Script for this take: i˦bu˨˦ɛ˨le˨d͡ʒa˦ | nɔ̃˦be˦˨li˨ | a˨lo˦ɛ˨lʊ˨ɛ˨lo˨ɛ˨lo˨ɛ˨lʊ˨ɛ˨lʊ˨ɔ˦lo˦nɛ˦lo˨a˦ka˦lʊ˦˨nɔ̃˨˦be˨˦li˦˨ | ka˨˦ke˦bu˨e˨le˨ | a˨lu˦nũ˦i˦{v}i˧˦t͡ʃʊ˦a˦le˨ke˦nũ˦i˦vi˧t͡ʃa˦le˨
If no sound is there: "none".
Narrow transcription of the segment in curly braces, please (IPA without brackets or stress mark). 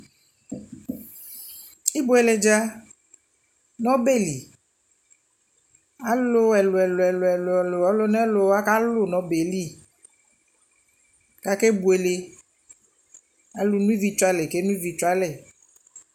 v